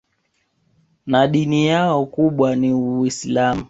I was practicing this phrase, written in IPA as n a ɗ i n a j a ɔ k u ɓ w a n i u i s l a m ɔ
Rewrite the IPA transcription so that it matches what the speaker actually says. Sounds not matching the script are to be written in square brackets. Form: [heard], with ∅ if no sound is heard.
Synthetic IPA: n a ɗ i n [i] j a ɔ k u ɓ w a n i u i s l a m [u]